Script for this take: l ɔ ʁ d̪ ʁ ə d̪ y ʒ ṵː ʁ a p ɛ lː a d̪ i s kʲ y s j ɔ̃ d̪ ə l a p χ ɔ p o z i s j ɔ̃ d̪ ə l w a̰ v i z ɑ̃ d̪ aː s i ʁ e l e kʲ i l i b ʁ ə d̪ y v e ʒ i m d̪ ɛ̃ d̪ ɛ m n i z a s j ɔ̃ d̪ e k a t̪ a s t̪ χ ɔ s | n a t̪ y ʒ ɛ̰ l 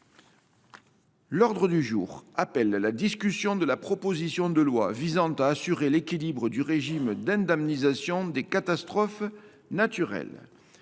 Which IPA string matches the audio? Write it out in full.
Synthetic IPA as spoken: l ɔ ʁ d̪ ʁ ə d̪ y ʒ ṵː ʁ a p ɛ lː a d̪ i s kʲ y s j ɔ̃ d̪ ə l a p χ ɔ p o z i s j ɔ̃ d̪ ə l w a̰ v i z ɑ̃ t̪ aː s y ʁ e l e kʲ i l i b ʁ ə d̪ y ʁ e ʒ i m d̪ ɛ̃ d̪ ɛ m n i z a s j ɔ̃ d̪ e k a t̪ a s t̪ χ ɔ f | n a t̪ y ʁ ɛ̰ l